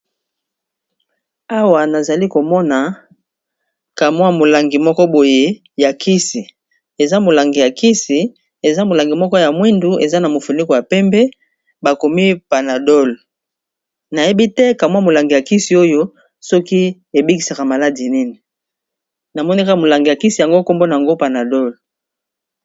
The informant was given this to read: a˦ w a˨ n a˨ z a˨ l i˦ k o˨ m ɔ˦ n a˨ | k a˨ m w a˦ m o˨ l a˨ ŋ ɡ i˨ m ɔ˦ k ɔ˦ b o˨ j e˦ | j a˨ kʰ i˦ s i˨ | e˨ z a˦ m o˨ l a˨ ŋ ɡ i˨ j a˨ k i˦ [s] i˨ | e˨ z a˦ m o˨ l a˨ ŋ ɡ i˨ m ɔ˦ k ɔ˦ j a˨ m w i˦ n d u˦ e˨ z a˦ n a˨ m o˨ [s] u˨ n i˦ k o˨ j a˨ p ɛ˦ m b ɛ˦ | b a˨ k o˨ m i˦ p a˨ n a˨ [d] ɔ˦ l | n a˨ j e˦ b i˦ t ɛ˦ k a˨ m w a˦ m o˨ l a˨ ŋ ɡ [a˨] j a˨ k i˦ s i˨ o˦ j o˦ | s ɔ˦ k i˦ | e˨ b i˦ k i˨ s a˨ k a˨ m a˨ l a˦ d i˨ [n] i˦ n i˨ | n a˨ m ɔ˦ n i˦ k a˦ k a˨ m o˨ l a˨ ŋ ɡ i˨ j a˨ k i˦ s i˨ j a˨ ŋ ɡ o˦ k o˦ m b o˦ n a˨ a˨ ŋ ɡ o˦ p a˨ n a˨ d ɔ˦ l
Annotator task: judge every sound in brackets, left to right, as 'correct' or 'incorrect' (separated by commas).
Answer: correct, incorrect, correct, incorrect, correct